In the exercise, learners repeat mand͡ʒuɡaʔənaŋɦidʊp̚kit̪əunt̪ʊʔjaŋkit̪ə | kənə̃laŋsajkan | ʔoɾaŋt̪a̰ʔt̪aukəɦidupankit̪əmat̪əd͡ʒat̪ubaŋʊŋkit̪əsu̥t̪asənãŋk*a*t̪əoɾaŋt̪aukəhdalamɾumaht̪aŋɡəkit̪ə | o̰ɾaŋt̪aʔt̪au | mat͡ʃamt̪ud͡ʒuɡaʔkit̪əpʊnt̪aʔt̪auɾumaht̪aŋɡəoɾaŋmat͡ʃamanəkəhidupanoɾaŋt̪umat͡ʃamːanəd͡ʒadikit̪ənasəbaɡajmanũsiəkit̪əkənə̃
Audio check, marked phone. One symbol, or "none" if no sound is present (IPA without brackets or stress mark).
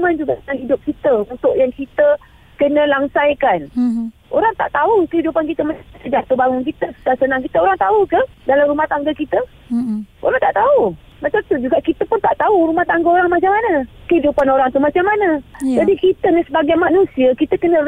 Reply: i